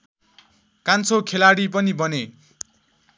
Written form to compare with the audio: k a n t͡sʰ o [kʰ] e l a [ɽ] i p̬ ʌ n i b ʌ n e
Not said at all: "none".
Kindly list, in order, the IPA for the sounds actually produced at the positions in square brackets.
kʰ, ɽ

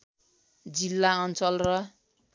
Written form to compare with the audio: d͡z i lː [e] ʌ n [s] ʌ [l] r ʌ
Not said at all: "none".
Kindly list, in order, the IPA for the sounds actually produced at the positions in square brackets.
a, t͡s, l

